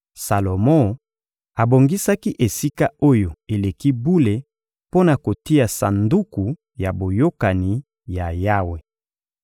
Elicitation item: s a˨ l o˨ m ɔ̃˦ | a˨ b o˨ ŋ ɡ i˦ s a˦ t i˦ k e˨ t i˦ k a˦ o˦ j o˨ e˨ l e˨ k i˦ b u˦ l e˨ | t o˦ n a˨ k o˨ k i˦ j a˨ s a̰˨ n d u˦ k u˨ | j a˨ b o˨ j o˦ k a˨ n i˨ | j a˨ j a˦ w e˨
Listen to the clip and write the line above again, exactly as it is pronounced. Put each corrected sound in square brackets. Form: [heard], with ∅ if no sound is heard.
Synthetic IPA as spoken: s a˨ l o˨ m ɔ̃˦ | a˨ b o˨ ŋ ɡ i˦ s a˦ [k] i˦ [ʔ] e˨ [s] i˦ k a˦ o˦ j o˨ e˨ l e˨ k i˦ b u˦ l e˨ | [p] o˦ n a˨ k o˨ [t] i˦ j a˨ s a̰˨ n d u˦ k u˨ | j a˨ b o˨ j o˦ k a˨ n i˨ | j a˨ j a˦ w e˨